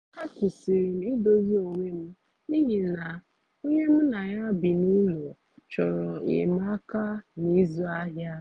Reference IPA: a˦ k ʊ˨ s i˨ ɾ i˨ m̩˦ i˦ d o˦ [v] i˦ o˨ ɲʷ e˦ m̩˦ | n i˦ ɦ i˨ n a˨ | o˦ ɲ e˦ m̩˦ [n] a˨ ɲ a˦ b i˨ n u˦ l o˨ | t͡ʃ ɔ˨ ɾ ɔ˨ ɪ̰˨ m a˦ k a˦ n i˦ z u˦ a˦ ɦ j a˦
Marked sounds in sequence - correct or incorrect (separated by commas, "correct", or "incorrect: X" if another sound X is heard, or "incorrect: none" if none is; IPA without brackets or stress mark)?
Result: incorrect: z, correct